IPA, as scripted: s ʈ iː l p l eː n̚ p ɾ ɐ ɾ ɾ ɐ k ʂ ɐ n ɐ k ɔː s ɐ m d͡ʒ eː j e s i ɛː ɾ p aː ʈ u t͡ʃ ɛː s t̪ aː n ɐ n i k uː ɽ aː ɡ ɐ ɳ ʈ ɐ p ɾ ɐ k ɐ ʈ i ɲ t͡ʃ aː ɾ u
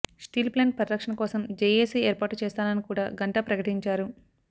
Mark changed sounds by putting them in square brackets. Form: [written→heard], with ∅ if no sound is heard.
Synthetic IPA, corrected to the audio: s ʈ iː l p l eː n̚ p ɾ ɐ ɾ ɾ ɐ k ʂ ɐ n ɐ k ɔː s ɐ m d͡ʒ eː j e s i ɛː ɾ p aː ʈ u t͡ʃ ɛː s t̪ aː n ɐ n i k uː ɽ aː ɡ ɐ ɳ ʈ ɐ p ɾ ɐ k ɐ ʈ i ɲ t͡ʃ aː ɾ u